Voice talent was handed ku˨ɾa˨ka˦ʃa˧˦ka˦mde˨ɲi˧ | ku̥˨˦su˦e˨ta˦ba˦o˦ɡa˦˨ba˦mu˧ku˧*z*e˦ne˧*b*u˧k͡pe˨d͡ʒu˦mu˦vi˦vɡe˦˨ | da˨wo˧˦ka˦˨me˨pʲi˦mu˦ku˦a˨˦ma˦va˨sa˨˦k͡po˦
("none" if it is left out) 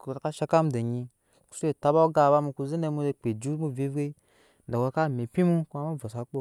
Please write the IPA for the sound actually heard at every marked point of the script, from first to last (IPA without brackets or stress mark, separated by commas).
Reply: z, m